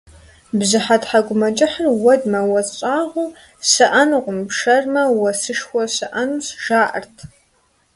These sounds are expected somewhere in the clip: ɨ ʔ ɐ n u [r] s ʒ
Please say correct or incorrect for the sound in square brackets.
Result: incorrect